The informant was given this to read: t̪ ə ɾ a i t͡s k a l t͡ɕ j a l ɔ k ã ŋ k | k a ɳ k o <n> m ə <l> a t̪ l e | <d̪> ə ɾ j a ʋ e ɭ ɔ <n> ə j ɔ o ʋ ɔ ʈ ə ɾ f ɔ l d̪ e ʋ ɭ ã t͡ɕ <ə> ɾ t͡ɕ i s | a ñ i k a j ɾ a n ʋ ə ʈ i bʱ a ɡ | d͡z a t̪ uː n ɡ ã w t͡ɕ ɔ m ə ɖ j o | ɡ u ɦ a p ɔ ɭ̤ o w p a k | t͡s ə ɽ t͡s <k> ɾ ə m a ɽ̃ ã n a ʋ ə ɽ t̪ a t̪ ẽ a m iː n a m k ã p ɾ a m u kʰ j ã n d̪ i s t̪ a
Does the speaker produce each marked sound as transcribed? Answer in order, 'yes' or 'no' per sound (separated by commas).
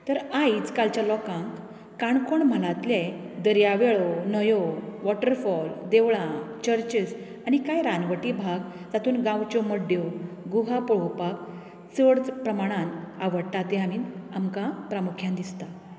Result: no, yes, yes, yes, yes, no